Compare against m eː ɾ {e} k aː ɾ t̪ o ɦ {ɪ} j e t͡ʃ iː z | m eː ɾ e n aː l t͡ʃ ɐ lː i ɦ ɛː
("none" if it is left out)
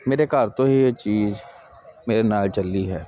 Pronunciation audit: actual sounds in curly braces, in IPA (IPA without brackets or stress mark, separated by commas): e, i